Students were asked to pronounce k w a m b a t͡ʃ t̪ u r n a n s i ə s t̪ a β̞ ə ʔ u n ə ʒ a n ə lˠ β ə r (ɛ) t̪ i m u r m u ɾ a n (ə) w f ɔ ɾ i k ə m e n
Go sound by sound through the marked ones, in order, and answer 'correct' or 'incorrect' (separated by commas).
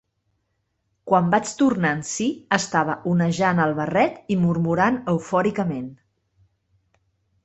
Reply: correct, correct